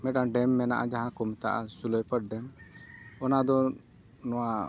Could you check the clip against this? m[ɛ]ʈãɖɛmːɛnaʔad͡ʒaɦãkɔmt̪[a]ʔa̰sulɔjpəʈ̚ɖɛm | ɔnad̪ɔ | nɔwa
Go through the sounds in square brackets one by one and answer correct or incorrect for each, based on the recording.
correct, correct

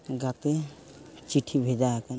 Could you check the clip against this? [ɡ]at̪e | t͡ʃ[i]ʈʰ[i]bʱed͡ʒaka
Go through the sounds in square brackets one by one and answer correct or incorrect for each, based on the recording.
correct, correct, correct

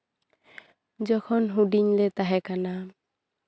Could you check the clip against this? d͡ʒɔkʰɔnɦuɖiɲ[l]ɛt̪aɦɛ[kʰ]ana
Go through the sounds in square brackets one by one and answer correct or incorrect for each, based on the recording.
correct, incorrect: k

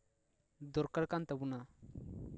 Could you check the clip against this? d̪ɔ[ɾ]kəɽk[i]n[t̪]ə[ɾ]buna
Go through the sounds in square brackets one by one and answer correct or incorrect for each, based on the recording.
correct, incorrect: a, correct, incorrect: none

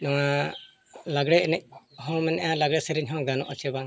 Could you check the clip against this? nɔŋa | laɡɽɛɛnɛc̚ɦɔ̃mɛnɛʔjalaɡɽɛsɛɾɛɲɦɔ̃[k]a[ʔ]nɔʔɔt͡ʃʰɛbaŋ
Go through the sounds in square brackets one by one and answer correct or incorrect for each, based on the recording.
incorrect: ɡ, incorrect: none

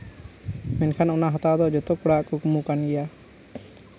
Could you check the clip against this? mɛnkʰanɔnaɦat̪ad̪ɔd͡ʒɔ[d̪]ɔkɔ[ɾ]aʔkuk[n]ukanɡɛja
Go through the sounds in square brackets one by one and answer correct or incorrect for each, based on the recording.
incorrect: t̪, incorrect: ɽ, incorrect: m

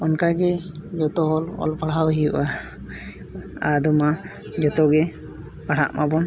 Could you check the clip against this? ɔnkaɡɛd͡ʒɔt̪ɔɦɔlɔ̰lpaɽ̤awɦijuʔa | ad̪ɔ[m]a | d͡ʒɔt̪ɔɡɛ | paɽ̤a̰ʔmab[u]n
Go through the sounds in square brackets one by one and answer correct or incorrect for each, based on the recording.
correct, incorrect: ɔ

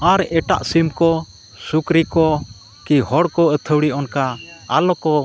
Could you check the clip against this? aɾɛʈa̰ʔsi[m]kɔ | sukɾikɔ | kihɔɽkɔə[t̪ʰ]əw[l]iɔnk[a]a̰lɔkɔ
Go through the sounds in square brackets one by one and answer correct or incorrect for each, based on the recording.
correct, correct, incorrect: ɽ, correct

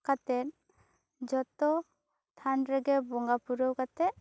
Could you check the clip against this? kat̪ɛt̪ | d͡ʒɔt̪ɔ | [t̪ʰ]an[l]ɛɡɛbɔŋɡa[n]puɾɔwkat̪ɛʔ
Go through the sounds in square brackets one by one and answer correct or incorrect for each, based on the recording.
correct, incorrect: ɾ, incorrect: none

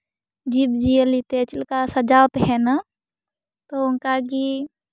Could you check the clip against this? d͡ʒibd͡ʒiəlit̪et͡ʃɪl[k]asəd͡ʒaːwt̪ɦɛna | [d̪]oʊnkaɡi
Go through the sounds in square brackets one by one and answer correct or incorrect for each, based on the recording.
correct, incorrect: t̪

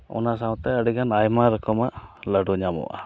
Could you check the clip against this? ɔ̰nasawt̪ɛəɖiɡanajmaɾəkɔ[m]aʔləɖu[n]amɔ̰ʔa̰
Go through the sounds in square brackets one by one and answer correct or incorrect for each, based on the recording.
correct, incorrect: ɲ

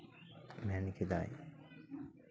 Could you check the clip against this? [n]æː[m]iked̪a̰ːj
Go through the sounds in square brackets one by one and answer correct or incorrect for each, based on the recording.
incorrect: m, incorrect: n

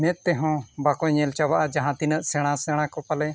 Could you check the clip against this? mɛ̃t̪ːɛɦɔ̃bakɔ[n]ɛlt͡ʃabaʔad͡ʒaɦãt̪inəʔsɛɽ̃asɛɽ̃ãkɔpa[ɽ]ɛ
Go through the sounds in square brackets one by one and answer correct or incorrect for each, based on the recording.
incorrect: ɲ, incorrect: l

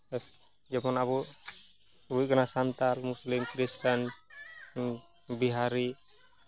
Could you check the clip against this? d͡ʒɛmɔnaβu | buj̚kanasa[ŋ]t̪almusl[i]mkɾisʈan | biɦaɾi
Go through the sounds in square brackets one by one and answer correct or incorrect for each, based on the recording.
incorrect: n, correct

